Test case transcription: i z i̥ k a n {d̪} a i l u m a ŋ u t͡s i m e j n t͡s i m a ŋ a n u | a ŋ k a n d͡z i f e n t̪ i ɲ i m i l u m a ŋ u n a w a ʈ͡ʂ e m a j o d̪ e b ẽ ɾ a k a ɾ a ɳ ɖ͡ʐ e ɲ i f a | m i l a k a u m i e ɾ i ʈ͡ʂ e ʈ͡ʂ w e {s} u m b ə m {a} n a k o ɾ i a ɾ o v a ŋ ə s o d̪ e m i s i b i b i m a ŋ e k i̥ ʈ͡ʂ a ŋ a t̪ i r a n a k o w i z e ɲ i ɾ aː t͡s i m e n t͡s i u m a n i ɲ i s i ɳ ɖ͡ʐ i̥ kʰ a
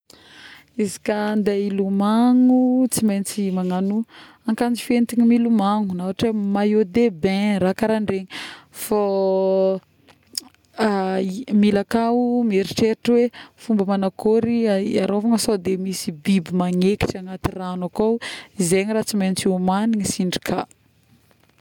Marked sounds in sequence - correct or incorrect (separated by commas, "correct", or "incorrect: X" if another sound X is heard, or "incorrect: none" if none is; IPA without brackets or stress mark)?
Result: correct, incorrect: f, correct